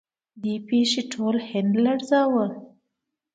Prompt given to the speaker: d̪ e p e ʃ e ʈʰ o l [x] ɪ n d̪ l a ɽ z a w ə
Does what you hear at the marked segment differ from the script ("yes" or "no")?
yes